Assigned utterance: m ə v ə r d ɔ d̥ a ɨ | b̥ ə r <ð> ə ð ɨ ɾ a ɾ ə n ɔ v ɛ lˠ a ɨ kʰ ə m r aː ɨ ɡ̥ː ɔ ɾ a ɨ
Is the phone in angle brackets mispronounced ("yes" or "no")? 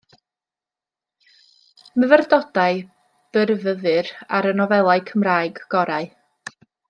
yes